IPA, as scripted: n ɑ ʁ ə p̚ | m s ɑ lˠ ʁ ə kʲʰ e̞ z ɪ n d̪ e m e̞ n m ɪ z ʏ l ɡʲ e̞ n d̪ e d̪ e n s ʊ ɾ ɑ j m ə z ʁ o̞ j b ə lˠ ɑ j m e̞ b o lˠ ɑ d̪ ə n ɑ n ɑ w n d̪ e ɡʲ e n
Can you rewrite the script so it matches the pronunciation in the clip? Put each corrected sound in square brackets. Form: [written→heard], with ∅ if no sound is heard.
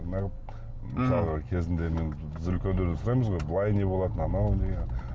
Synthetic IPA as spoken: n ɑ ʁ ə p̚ | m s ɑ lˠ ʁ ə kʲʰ e̞ z ɪ n d̪ e m e̞ n [m→b] ɪ z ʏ l [ɡʲ→kʲ] e̞ n d̪ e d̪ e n s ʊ ɾ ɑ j m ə z ʁ o̞ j b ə lˠ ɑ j [m→n] e̞ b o lˠ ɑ [d̪→t̪] ə n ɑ n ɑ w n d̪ e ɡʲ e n